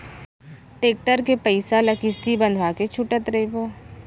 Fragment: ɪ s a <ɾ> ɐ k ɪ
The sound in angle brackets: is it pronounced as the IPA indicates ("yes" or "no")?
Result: no